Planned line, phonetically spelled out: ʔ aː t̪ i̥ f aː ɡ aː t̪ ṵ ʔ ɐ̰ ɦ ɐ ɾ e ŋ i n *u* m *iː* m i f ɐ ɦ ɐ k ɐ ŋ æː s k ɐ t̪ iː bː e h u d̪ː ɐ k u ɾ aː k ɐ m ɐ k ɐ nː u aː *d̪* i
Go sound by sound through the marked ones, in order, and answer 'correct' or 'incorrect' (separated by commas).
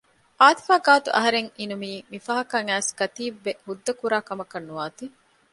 correct, correct, incorrect